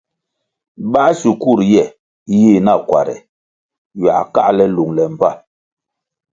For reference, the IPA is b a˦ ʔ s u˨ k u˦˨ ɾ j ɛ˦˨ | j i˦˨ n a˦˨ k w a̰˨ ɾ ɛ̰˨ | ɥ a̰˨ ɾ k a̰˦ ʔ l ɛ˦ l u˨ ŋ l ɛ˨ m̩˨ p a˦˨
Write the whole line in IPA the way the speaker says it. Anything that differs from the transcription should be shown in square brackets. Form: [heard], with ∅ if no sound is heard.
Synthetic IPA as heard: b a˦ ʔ s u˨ k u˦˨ ɾ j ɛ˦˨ | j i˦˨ n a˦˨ k w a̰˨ ɾ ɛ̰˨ | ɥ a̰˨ [∅] k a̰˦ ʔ l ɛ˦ l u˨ ŋ l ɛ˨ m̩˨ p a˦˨